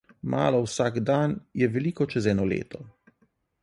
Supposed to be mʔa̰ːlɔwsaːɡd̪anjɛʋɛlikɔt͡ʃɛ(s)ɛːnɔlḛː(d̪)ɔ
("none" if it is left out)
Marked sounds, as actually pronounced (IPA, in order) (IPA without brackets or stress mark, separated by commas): z, t̪